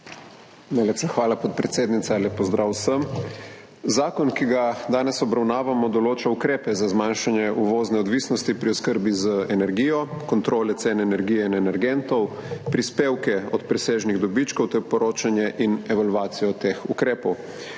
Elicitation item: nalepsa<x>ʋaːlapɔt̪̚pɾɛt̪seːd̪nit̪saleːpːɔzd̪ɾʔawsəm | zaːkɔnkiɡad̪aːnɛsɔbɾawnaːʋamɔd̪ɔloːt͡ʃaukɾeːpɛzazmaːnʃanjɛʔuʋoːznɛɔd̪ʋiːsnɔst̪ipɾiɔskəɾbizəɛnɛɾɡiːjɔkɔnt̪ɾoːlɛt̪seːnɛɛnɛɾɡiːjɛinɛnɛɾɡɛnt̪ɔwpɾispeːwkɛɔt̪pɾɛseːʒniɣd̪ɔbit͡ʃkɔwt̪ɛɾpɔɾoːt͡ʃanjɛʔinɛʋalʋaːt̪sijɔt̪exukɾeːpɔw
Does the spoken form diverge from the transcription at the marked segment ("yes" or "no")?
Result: no